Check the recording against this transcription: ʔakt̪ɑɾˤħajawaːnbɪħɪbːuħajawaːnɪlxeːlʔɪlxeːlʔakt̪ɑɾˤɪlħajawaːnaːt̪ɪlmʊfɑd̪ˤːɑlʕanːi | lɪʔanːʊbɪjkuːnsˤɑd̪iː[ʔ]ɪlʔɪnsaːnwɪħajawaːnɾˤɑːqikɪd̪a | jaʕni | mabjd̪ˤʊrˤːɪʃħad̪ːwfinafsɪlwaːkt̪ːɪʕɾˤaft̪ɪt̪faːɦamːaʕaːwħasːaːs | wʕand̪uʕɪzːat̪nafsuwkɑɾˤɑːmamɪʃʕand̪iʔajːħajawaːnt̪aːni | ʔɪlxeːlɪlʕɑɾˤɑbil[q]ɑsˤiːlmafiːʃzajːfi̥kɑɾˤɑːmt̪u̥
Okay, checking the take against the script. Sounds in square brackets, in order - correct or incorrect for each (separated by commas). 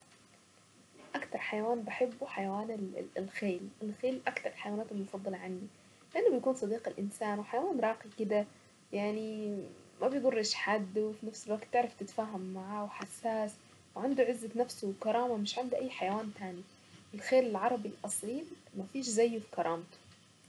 incorrect, incorrect